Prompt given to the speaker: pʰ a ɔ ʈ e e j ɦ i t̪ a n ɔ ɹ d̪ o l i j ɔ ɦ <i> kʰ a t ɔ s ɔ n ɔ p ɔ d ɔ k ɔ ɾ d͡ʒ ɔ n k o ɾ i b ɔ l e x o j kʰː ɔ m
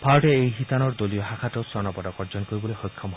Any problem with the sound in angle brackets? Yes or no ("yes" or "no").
yes